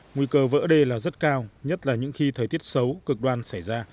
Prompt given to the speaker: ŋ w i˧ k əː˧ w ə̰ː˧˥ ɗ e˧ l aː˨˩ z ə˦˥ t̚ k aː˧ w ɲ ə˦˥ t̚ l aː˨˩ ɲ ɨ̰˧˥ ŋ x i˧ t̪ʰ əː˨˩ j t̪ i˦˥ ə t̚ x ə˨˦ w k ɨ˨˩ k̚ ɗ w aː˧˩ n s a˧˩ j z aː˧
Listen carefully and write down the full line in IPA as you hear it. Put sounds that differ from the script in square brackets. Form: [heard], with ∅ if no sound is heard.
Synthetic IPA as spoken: ŋ w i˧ k əː˧ [v] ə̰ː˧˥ ɗ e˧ l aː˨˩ z ə˦˥ t̚ k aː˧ w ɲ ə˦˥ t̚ l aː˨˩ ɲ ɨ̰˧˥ ŋ x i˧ t̪ʰ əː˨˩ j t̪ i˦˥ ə t̚ [s] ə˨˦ w k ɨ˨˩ k̚ ɗ w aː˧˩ n s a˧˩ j z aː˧